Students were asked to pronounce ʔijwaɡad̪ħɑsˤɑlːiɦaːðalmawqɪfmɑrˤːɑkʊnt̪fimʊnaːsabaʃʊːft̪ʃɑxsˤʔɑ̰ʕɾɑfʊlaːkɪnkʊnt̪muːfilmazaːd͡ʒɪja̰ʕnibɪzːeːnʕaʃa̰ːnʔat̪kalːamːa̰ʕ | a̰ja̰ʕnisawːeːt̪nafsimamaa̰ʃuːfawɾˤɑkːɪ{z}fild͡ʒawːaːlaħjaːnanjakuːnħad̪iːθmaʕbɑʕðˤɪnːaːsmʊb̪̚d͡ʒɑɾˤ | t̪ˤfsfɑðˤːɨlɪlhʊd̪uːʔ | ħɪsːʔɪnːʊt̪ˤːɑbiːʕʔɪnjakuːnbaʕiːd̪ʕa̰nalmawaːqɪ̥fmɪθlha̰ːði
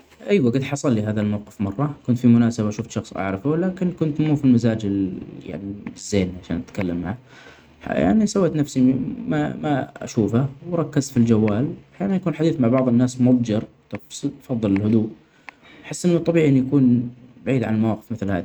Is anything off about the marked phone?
no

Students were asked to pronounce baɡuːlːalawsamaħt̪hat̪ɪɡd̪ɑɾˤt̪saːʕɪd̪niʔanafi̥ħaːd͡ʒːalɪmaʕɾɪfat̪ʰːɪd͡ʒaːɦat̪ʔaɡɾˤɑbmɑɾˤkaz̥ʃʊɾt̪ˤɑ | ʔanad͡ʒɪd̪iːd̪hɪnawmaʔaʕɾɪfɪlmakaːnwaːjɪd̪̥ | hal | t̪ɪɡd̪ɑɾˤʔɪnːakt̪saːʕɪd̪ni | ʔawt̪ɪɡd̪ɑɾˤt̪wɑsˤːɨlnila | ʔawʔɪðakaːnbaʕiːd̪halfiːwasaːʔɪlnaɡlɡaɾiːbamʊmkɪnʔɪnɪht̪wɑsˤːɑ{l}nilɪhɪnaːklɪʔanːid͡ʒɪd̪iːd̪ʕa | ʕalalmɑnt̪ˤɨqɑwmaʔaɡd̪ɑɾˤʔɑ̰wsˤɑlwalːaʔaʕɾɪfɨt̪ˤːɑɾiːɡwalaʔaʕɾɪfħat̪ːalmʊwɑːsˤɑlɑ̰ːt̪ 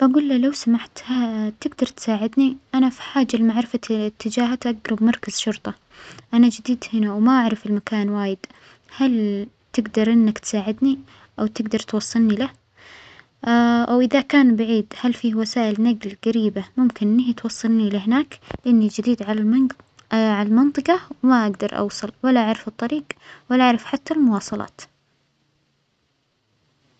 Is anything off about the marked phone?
no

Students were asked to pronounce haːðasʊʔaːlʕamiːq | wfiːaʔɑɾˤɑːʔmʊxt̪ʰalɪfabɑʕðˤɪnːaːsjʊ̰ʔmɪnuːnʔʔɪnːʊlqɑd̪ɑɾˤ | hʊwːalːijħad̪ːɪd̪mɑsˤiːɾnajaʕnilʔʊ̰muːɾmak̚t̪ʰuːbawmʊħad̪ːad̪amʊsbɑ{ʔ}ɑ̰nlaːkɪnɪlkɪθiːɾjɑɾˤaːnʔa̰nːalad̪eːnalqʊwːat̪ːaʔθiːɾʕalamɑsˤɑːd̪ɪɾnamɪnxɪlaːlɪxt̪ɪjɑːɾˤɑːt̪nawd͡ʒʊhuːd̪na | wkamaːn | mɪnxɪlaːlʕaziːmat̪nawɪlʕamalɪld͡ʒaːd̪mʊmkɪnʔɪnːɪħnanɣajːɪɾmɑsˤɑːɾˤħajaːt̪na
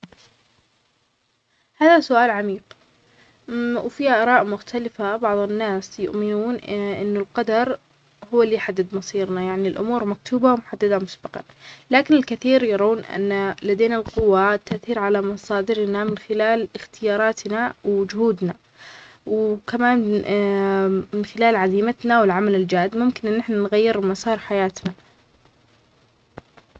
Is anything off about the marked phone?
yes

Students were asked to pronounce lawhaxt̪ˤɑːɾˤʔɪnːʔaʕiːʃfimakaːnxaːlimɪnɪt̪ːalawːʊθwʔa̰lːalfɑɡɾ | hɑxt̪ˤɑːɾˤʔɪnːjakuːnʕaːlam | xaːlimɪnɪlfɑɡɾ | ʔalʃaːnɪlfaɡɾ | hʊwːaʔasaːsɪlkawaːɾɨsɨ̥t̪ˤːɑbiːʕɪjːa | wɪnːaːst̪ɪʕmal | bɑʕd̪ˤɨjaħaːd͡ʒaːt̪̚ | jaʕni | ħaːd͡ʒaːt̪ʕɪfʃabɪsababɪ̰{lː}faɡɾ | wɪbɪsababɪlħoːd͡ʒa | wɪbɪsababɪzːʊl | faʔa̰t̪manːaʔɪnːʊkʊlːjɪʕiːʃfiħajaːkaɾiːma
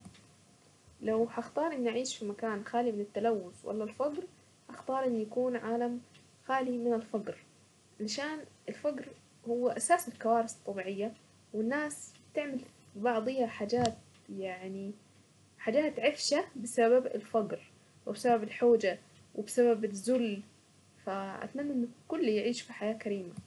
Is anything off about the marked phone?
yes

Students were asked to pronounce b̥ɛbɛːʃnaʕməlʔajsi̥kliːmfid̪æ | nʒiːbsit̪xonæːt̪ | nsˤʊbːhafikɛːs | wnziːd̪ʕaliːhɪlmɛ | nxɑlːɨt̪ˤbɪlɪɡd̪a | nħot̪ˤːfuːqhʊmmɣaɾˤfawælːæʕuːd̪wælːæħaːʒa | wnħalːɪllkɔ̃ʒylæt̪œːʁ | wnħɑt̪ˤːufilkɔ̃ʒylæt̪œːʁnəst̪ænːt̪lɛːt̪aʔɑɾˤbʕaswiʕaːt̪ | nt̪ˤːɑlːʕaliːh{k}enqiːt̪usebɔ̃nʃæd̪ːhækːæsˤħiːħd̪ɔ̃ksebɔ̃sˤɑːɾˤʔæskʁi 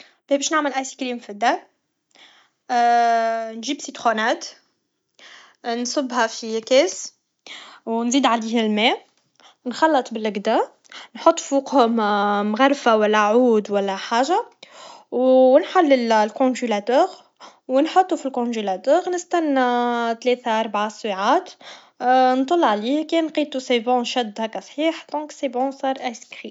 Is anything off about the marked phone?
no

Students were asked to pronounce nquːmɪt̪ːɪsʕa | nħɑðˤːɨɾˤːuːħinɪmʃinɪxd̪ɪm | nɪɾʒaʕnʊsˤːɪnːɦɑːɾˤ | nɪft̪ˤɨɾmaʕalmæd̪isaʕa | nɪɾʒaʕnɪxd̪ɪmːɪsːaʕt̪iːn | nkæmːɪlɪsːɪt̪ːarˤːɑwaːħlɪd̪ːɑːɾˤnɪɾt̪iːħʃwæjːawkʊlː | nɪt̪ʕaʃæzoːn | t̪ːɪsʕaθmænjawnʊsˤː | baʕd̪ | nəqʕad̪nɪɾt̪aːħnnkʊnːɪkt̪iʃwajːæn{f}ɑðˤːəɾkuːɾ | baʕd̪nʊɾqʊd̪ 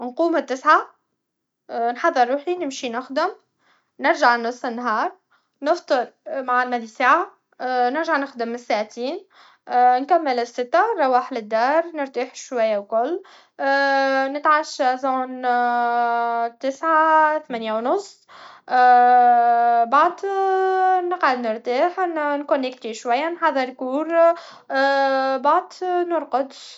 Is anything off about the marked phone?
yes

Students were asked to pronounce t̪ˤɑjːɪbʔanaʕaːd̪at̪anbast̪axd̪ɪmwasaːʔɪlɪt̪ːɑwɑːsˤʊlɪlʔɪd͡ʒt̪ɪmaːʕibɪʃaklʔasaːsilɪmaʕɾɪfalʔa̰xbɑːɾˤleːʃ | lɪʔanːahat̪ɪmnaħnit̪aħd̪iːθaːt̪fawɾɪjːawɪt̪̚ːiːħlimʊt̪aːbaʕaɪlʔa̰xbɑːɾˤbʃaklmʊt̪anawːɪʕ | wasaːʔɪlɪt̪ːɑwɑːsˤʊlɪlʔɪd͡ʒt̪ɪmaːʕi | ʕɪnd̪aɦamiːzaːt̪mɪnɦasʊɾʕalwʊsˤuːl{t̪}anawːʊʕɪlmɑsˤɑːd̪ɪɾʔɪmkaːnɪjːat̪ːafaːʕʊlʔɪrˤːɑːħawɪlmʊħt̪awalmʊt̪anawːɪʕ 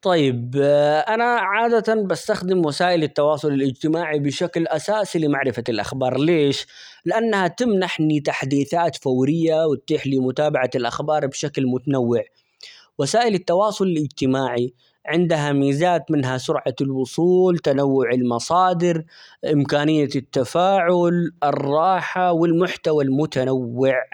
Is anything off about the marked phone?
no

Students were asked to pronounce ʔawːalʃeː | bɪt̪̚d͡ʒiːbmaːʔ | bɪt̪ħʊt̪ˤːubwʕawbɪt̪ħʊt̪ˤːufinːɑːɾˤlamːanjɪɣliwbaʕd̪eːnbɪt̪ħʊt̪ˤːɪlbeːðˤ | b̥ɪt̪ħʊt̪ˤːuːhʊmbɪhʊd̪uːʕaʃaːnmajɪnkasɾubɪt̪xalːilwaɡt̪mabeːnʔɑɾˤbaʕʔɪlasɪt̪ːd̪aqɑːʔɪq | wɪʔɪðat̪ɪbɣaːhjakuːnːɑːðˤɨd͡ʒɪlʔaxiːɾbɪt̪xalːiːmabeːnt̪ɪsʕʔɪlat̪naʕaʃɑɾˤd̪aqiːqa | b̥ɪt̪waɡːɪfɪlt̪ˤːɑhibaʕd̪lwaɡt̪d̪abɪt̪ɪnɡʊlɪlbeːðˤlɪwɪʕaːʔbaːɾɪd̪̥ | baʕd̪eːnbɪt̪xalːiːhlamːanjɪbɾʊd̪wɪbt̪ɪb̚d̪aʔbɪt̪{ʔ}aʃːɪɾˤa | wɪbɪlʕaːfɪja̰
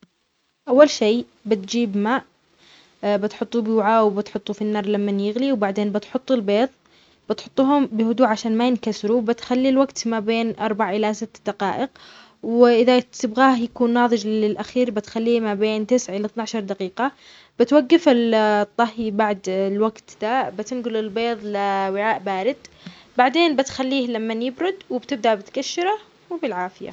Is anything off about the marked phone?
yes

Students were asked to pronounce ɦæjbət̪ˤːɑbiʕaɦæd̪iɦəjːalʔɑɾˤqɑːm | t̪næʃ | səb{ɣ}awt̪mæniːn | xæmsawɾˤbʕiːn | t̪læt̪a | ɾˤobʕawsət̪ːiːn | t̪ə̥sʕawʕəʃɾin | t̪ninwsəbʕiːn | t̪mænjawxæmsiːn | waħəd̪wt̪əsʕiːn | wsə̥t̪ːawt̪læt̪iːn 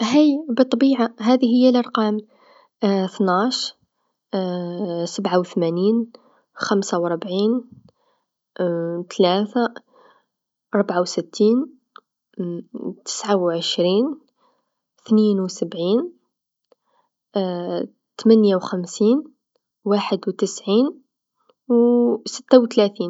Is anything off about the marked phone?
yes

